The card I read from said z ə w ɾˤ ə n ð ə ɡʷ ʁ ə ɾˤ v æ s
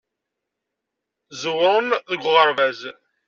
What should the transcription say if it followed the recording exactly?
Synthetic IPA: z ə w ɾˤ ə n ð ə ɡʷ ʁ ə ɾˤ v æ z